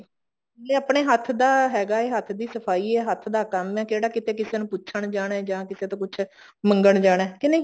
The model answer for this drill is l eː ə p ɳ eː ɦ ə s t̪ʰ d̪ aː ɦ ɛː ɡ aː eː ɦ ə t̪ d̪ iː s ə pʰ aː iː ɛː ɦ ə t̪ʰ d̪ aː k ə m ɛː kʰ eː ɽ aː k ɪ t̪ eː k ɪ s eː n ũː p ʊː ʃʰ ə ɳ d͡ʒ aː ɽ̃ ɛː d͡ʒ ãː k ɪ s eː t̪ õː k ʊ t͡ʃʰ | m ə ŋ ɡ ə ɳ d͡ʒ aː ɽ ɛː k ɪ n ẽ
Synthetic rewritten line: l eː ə p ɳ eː ɦ ə t̪ʰ d̪ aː ɦ ɛː ɡ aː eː ɦ ə t̪ʰ d̪ iː s ə pʰ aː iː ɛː ɦ ə t̪ʰ d̪ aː k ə m ɛː k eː ɽ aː k ɪ t̪ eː k ɪ s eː n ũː p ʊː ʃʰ ə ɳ d͡ʒ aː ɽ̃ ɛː d͡ʒ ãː k ɪ s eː t̪ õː k ʊ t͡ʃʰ | m ə ŋ ɡ ə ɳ d͡ʒ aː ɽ ɛː k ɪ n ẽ